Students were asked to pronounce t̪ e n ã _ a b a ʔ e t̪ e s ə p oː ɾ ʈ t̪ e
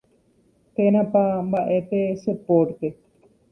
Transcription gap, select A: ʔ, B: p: B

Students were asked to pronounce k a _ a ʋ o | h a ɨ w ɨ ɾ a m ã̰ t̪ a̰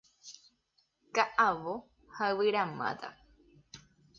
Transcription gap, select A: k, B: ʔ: B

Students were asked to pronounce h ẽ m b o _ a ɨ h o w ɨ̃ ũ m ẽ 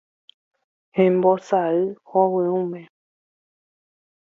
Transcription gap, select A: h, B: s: B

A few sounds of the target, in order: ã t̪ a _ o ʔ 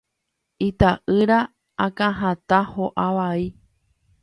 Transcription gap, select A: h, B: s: A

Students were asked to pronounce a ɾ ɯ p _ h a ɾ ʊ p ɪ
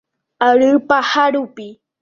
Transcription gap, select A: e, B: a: B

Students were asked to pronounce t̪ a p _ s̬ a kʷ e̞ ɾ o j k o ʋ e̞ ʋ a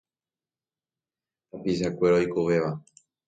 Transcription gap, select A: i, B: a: A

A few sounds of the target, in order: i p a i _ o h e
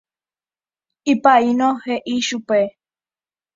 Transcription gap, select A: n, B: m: A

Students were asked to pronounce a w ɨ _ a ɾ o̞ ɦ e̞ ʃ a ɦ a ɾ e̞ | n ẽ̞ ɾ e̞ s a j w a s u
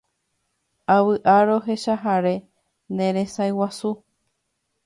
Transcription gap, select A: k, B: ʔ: B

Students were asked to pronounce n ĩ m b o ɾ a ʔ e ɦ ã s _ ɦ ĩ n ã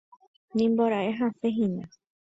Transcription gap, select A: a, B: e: B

